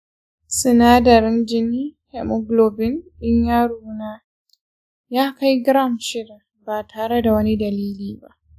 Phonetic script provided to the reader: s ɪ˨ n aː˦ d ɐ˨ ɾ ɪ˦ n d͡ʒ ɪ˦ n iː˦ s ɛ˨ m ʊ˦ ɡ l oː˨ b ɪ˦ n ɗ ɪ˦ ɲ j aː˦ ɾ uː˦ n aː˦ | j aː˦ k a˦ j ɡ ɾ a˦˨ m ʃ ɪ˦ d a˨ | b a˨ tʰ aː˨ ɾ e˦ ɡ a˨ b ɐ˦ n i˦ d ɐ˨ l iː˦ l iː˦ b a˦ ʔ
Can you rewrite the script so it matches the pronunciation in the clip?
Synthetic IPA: s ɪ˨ n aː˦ d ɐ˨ ɾ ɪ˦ n d͡ʒ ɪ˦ n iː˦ h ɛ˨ m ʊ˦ ɡ l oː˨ b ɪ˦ n ɗ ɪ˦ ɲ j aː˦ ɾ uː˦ n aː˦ | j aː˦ k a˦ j ɡ ɾ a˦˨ m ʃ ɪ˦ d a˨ | b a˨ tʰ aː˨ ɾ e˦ d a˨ w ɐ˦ n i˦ d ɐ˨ l iː˦ l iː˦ b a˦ ʔ